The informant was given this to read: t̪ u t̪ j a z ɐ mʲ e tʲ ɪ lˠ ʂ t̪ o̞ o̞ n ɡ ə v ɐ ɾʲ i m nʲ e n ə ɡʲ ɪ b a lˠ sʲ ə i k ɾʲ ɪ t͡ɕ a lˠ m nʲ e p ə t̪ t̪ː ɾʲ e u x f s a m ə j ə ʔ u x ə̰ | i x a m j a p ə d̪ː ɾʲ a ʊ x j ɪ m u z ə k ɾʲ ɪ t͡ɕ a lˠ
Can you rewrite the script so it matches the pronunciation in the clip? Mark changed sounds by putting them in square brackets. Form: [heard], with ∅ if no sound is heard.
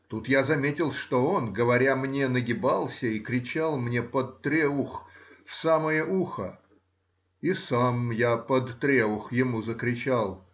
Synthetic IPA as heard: t̪ u t̪ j a z ɐ mʲ e tʲ ɪ lˠ ʂ t̪ o̞ o̞ n ɡ ə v ɐ ɾʲ [a] m nʲ e n ə ɡʲ ɪ b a lˠ sʲ ə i k ɾʲ ɪ t͡ɕ a lˠ m nʲ e p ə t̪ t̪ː ɾʲ e u x f s a m ə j ə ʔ u x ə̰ | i [s] a m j a p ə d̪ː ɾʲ [e] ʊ x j ɪ m u z ə k ɾʲ ɪ t͡ɕ a lˠ

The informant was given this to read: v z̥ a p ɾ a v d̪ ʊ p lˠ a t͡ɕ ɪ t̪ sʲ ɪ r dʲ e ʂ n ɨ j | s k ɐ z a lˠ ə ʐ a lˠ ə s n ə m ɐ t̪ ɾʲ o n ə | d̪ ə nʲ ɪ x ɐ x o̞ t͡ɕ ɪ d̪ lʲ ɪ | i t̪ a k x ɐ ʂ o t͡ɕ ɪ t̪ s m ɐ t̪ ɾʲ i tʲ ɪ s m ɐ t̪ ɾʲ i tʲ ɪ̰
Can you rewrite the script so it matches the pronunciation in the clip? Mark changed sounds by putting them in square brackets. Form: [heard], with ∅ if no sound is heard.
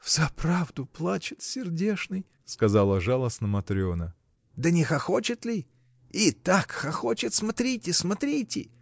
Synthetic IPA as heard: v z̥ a p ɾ a v d̪ ʊ p lˠ a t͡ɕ ɪ t̪ sʲ ɪ r dʲ e ʂ n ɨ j | s k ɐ z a lˠ ə ʐ a lˠ ə s n ə m ɐ t̪ ɾʲ o n ə | d̪ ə nʲ ɪ x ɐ x o̞ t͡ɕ ɪ [t̪] lʲ ɪ | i t̪ a k x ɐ [x] o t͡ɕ ɪ t̪ s m ɐ t̪ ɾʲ i tʲ ɪ s m ɐ t̪ ɾʲ i tʲ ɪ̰

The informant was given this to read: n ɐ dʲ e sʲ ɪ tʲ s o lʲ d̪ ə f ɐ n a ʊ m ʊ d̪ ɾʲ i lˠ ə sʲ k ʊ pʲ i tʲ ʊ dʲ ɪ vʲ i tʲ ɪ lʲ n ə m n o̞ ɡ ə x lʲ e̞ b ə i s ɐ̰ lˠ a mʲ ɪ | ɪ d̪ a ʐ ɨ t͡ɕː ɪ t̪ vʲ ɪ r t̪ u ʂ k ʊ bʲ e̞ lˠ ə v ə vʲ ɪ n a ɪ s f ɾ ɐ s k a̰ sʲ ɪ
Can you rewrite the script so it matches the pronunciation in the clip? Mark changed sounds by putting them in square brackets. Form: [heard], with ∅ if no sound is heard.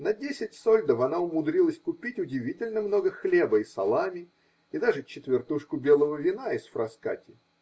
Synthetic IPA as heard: n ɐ dʲ e sʲ ɪ tʲ s o lʲ d̪ ə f ɐ n a ʊ m ʊ d̪ ɾʲ i lˠ ə sʲ k ʊ pʲ i tʲ ʊ dʲ ɪ vʲ i tʲ ɪ lʲ n ə m n o̞ ɡ ə x lʲ e̞ b ə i s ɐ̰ lˠ a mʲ ɪ | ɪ d̪ a ʐ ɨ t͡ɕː ɪ t̪ vʲ ɪ r t̪ u ʂ k ʊ bʲ e̞ lˠ ə v ə vʲ ɪ n a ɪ s f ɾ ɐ s k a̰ [tʲ] ɪ

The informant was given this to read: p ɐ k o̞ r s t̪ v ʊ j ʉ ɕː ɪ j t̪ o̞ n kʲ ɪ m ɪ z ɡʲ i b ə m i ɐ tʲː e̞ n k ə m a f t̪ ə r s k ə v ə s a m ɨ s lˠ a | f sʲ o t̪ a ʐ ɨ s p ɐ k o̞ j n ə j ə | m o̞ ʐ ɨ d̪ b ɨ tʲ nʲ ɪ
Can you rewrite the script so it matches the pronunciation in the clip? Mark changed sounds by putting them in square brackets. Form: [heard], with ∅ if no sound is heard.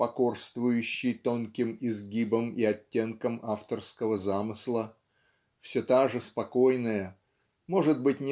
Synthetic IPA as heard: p ɐ k o̞ r s t̪ v ʊ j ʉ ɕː ɪ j t̪ o̞ n kʲ ɪ m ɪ z ɡʲ i b ə m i ɐ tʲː e̞ n k ə m a f t̪ ə r s k ə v ə [z] a m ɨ s lˠ [ə] | f sʲ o t̪ a ʐ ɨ s p ɐ k o̞ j n ə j ə | m o̞ ʐ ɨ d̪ b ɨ tʲ nʲ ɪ

